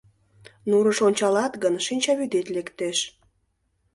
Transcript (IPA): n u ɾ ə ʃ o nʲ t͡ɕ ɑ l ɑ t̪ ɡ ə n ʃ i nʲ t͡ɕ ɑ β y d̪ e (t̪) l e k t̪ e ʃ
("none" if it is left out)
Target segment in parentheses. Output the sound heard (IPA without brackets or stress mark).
t̪